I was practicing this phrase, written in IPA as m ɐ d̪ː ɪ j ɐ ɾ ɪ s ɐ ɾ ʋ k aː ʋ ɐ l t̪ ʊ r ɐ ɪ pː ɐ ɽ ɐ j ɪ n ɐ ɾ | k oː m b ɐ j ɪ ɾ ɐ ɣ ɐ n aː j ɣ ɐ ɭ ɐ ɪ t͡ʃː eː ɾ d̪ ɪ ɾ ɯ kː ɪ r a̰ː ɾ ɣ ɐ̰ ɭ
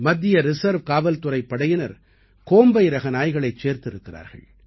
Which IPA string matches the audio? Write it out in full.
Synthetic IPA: m ɐ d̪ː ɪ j ɐ ɾ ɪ s ɐ ɾ ʋ k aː ʋ ɐ l t̪ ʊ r ɐ ɪ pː ɐ ɽ ɐ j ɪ n ɐ ɾ | k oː m b ɐ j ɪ ɾ ɐ ɣ ɐ n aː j ɣ ɐ ɭ ɐ ɪ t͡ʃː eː ɾ t̪ ɪ ɾ ɯ kː ɪ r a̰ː ɾ ɣ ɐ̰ ɭ